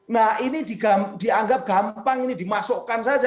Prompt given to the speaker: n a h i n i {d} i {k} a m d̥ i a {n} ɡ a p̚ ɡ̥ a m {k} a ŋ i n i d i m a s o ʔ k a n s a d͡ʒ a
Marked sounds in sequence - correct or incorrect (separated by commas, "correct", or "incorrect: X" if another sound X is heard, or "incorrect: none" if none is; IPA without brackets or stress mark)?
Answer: correct, incorrect: ɡ, incorrect: ŋ, incorrect: p